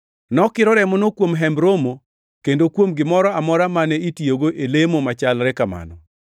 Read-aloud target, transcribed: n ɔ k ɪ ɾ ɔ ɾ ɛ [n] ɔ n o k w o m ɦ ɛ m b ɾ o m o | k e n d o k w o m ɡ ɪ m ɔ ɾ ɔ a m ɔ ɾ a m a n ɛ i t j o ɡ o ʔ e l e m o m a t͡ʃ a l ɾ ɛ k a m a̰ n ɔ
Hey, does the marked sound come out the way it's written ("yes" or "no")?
no